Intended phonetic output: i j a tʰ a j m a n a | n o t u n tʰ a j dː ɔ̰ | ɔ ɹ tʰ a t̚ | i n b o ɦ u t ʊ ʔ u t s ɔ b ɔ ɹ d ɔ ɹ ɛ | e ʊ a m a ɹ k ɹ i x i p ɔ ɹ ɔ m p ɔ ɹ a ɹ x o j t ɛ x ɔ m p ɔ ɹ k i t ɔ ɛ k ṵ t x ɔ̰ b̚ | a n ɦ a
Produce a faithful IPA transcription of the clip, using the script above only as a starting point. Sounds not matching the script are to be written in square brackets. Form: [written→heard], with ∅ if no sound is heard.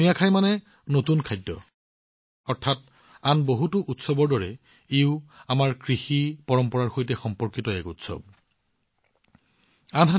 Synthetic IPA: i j a [tʰ→kʰ] a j m a n [a→ɛ] | n o t u n [tʰ→kʰ] a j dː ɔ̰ | ɔ ɹ tʰ a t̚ | [i→a] n b o ɦ u t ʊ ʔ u t s ɔ b ɔ ɹ d ɔ ɹ ɛ | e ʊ a m a ɹ k ɹ i x i p ɔ ɹ ɔ m p ɔ ɹ a ɹ x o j t ɛ x ɔ m p ɔ ɹ k i t ɔ ɛ k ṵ t [x→s] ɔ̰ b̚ | a n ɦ a